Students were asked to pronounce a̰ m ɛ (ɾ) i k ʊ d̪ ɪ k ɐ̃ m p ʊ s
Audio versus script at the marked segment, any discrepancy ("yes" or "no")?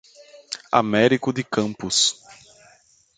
no